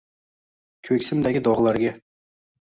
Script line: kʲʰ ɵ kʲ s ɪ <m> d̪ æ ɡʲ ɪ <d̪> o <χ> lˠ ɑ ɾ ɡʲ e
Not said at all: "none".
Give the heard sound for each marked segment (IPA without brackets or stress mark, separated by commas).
m, d̪, ʁ